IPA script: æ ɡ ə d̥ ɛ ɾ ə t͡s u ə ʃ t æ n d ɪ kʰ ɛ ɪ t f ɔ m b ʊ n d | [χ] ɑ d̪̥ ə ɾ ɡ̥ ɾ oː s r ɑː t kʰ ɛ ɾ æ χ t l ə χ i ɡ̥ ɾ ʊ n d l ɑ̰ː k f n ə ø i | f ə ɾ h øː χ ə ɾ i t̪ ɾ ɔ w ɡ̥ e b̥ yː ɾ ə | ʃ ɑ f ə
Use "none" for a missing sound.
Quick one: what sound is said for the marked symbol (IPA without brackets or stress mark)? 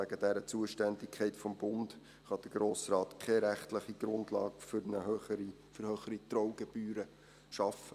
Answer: χ